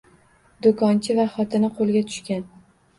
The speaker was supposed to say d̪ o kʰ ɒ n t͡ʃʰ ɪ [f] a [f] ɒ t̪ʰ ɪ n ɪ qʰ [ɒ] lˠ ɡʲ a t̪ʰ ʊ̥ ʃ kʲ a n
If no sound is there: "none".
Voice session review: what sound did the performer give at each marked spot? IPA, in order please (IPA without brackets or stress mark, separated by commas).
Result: v, χ, o